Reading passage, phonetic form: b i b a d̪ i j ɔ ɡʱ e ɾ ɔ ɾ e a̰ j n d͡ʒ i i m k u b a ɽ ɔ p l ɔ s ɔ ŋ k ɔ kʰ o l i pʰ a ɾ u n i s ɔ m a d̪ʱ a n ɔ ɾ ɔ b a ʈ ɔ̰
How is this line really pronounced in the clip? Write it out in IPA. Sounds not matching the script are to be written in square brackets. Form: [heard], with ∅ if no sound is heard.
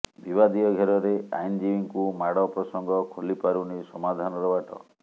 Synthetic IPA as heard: b i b a d̪ i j ɔ ɡʱ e ɾ ɔ ɾ e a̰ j n d͡ʒ i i [ŋ] k u [m] a ɽ ɔ p [ɾ] ɔ s ɔ ŋ [ɡ] ɔ kʰ o l i [p] a ɾ u n i s ɔ m a d̪ʱ a n ɔ ɾ ɔ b a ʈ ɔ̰